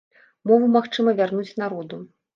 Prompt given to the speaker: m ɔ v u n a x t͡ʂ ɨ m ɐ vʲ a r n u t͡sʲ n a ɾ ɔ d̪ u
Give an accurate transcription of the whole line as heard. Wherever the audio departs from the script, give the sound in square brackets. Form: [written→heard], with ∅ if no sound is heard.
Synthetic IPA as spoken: m ɔ v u [n→m] a x t͡ʂ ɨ m ɐ vʲ a r n u t͡sʲ n a ɾ ɔ d̪ u